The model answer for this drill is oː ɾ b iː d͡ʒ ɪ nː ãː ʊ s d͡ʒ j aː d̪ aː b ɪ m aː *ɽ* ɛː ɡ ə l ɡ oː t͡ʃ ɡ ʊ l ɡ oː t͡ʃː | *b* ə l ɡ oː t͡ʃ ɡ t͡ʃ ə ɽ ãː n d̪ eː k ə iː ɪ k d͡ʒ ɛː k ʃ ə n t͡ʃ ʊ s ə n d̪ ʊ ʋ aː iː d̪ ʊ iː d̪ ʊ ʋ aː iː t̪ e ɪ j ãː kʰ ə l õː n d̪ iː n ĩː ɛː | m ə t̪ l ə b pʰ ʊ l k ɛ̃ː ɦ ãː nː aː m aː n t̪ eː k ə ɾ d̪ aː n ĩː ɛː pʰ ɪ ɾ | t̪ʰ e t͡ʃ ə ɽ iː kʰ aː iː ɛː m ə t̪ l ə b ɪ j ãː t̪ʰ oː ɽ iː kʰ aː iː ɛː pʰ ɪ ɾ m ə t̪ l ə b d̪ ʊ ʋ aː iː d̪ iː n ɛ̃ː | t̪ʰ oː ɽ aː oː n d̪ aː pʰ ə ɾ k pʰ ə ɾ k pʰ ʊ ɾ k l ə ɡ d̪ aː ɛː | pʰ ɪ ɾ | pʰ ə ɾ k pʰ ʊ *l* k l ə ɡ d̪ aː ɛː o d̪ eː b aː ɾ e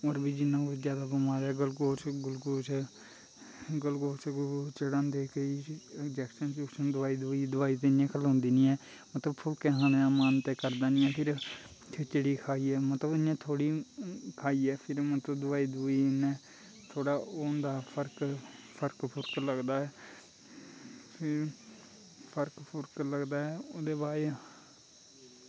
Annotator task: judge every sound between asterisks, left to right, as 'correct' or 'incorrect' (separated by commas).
incorrect, incorrect, incorrect